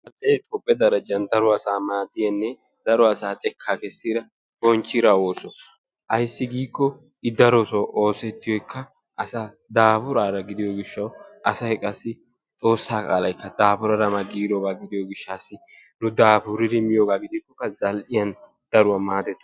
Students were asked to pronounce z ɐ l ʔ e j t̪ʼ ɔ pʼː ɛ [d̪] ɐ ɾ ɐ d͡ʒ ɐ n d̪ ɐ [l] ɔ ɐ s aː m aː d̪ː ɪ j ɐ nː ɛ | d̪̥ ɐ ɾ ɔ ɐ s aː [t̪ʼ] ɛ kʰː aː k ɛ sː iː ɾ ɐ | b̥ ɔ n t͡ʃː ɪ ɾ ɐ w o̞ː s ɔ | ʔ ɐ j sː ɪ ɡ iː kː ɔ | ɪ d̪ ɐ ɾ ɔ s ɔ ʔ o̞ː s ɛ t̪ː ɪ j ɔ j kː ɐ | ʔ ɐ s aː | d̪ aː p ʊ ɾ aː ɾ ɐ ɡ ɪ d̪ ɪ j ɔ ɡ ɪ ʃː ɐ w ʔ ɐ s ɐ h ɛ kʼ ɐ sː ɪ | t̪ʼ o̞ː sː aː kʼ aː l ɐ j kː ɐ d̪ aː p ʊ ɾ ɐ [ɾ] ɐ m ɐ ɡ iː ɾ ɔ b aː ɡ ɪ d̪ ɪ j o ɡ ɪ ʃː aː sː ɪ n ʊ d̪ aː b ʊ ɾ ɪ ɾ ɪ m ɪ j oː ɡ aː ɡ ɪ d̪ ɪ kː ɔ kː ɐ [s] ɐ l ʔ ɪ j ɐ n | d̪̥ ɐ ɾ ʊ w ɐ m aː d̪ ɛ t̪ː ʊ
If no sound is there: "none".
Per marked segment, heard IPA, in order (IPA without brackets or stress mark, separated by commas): d̪, ɾ, t̪ʼ, ɾ, z